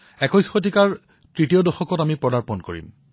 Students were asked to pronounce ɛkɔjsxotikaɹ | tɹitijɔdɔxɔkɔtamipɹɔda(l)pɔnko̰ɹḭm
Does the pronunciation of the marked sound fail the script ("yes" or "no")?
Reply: yes